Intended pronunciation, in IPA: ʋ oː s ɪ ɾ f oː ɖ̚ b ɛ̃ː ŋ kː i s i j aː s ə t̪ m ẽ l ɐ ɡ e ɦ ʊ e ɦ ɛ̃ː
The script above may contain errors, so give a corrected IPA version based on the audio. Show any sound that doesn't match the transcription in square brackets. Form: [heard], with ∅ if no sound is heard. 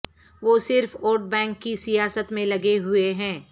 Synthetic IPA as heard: ʋ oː s ɪ ɾ f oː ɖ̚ b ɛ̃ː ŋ kː i s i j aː s ə t̪ m ẽ l ɐ ɡ e ɦ ʊ e ɦ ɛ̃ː